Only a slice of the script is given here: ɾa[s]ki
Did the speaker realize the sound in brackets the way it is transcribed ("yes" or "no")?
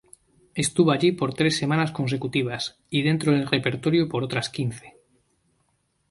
yes